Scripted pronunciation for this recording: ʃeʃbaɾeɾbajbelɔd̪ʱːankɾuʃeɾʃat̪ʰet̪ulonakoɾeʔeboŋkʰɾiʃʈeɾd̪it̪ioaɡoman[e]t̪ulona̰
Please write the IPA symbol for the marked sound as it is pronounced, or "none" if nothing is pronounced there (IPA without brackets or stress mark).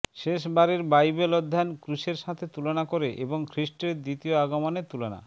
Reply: e